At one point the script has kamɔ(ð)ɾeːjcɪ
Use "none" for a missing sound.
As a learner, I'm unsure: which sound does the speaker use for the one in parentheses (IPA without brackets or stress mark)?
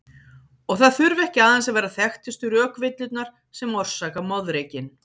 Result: ð